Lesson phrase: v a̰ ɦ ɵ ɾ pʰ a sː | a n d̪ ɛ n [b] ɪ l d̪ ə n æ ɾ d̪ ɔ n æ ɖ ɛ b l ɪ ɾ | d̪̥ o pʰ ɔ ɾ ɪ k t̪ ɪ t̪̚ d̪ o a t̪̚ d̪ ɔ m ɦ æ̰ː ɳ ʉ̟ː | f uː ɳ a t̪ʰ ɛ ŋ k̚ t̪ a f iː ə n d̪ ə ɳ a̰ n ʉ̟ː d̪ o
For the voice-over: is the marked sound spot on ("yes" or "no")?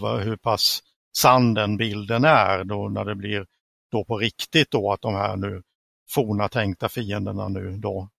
yes